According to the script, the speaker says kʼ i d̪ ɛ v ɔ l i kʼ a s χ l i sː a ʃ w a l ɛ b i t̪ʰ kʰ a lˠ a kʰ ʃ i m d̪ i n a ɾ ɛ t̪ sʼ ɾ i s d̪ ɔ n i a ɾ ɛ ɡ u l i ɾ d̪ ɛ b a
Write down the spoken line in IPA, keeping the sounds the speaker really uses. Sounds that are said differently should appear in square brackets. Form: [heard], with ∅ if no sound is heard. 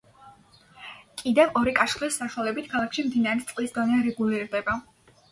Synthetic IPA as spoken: kʼ i d̪ ɛ v ɔ [ɾ] i kʼ a [ʃ] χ l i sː a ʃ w a l ɛ b i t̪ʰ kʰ a lˠ a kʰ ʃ i m d̪ i n a ɾ ɛ t̪ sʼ [l] i s d̪ ɔ n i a ɾ ɛ ɡ u l i ɾ d̪ ɛ b a